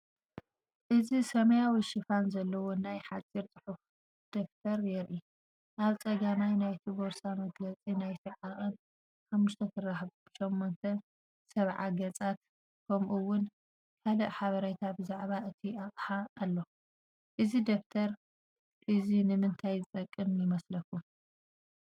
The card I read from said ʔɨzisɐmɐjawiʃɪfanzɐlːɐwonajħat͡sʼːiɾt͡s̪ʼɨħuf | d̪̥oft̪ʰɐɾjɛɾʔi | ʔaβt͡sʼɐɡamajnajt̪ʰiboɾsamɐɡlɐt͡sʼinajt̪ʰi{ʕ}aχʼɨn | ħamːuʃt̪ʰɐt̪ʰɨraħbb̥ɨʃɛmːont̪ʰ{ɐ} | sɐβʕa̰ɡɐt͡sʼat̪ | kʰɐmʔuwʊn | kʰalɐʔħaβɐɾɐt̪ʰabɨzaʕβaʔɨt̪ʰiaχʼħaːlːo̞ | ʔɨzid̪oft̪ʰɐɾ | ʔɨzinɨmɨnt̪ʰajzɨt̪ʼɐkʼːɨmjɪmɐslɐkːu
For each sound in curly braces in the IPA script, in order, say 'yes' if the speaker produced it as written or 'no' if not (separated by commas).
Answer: yes, yes